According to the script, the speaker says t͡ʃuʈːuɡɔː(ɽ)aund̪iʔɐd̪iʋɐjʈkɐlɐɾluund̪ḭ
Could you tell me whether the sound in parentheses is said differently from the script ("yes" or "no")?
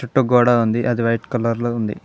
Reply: no